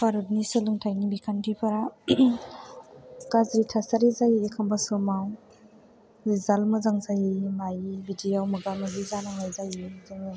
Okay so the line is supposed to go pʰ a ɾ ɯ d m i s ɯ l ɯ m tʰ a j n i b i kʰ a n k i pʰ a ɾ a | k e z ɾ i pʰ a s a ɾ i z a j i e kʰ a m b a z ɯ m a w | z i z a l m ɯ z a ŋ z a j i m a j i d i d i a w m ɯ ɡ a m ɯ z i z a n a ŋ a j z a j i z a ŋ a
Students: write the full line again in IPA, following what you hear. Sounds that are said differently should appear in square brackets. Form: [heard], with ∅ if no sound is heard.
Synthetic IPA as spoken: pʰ a ɾ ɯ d [n] i s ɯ l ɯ [ŋ] tʰ a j n i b i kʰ a n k i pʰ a ɾ a | k [a] z ɾ i [tʰ] a s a ɾ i z a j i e kʰ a m b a [s] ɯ m a w | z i z a l m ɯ z a ŋ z a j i m a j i [b] i d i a w m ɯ ɡ a m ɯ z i z a n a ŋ a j z a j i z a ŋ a